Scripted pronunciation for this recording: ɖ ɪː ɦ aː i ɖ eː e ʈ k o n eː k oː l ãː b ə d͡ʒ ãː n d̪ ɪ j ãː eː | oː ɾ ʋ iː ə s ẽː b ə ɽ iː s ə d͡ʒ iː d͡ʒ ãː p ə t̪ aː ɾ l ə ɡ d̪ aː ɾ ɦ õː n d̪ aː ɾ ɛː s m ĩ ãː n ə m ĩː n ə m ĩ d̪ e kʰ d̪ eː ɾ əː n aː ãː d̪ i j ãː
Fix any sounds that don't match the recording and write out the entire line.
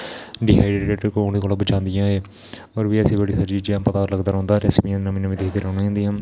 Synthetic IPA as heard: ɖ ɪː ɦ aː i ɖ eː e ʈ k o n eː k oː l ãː b ə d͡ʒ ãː n d̪ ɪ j ãː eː | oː ɾ ʋ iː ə s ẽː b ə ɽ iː s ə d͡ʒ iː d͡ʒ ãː p ə t̪ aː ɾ l ə ɡ d̪ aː ɾ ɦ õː n d̪ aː ɾ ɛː s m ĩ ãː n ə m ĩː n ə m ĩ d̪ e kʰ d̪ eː ɾ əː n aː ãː d̪ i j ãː